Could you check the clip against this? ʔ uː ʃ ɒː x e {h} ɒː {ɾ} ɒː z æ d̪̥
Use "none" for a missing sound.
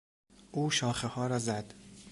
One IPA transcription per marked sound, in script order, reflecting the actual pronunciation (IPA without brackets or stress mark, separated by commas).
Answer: h, ɾ